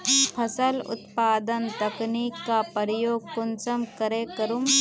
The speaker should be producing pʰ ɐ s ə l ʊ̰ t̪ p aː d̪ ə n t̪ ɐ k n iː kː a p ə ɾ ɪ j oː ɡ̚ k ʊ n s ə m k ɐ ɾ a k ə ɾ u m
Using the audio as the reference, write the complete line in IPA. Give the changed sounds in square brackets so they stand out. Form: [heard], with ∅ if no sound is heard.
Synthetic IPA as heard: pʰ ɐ s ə l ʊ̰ t̪ p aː d̪ ə n t̪ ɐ k n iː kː a p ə ɾ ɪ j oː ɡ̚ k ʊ n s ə m k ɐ ɾ [e] k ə ɾ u m